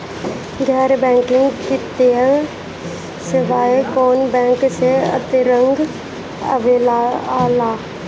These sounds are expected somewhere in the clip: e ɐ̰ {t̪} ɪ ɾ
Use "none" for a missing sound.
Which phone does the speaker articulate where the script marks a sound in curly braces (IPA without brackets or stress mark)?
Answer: t̪